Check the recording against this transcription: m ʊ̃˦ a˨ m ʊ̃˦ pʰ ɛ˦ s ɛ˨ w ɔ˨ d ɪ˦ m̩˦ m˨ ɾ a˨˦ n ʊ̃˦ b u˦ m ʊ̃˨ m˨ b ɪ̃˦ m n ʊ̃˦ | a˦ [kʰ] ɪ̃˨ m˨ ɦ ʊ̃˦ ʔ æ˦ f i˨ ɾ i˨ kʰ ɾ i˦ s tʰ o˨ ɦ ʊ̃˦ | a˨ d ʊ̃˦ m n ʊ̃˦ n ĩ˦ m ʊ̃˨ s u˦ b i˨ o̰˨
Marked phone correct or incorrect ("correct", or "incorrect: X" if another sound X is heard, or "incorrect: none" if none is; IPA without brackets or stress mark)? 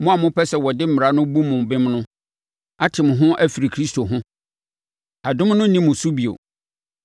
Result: incorrect: tʰ